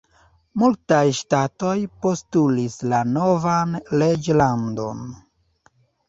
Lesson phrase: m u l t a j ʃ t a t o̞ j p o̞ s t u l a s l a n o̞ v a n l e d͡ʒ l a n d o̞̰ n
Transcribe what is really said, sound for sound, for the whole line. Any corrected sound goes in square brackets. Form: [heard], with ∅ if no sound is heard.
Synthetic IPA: m u l t a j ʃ t a t o̞ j p o̞ s t u l [i] s l a n o̞ v a n l e d͡ʒ l a n d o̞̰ n